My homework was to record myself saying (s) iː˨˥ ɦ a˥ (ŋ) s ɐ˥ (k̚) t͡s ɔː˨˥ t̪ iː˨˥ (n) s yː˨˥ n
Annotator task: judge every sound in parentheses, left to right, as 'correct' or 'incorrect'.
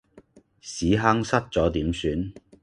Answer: correct, correct, incorrect: t̚, incorrect: m

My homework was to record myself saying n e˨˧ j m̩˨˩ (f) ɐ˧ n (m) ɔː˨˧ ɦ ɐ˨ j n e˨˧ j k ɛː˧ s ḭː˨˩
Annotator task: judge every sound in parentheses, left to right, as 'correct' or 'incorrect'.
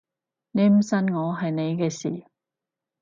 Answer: incorrect: s, incorrect: ŋ

